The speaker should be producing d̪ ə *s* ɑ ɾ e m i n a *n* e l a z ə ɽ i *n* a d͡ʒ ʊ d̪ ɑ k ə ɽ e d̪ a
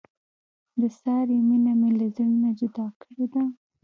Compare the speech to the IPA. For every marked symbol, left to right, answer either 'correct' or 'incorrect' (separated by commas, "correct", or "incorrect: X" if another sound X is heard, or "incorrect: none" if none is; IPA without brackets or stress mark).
correct, incorrect: m, correct